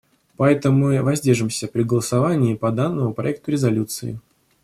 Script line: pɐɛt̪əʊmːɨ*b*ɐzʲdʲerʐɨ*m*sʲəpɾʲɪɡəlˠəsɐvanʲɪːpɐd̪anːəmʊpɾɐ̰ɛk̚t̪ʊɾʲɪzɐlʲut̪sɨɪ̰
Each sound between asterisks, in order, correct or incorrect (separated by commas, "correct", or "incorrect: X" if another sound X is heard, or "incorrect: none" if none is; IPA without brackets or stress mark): incorrect: v, correct